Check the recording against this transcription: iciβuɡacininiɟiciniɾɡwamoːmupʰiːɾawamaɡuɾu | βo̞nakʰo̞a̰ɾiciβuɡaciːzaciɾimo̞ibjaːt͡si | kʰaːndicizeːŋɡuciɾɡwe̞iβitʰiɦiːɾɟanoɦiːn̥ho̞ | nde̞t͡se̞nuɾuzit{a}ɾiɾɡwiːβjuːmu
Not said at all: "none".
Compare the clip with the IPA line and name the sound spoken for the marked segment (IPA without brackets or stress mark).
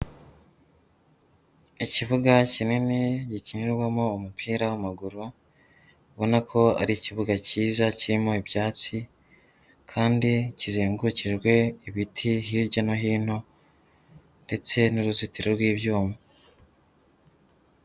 i